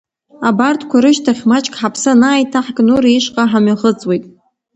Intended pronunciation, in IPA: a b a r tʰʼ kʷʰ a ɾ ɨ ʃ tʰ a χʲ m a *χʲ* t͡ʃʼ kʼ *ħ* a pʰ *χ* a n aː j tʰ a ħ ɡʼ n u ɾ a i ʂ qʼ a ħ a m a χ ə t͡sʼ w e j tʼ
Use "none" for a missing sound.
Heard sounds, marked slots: none, ħ, s

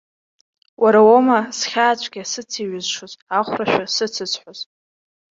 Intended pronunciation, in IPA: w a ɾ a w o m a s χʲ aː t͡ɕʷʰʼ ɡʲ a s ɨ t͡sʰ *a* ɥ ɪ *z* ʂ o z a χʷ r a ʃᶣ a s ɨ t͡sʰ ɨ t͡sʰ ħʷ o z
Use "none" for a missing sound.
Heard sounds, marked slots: i, z

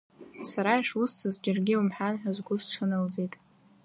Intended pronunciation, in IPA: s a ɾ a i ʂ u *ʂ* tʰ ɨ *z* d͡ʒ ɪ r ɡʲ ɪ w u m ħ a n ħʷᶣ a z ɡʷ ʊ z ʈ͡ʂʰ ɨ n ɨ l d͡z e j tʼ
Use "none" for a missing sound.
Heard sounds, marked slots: s, z

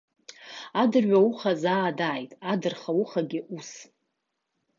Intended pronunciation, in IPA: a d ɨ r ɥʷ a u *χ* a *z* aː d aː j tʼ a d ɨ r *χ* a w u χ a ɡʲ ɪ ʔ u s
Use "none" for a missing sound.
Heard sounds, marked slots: χ, z, χ

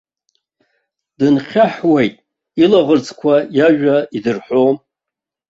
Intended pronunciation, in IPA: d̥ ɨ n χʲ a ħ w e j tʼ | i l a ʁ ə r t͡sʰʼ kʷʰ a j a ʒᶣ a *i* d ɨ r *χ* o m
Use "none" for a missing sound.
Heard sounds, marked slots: i, ħ

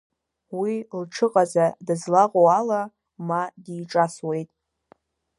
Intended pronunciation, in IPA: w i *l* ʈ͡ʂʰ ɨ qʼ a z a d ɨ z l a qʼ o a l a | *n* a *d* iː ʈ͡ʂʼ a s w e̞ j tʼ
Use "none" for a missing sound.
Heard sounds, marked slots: l, m, d

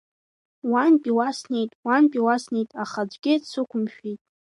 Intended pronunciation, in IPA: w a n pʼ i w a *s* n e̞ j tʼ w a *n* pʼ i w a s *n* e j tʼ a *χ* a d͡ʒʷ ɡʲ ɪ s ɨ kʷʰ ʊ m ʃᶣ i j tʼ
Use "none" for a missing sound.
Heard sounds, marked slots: s, n, n, χ

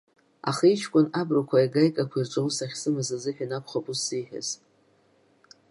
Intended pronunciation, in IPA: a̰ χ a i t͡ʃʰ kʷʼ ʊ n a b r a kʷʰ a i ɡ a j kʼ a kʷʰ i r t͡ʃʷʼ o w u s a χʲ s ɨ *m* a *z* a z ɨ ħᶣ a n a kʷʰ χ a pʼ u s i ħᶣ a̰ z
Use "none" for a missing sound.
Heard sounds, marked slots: m, z

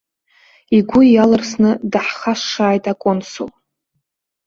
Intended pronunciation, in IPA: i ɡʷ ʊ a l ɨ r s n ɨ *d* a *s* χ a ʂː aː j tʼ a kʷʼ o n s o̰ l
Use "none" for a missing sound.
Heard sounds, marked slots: d, ħ

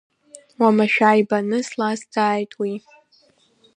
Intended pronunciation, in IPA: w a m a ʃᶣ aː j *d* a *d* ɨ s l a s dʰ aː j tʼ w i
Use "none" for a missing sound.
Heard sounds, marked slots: b, n

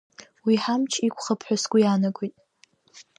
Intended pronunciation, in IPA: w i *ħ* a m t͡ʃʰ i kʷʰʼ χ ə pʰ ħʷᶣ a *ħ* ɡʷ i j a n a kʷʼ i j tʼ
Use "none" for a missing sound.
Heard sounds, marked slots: ħ, s

